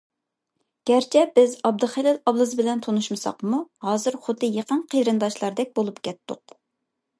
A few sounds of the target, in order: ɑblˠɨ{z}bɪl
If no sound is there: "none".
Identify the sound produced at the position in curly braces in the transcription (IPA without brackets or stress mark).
z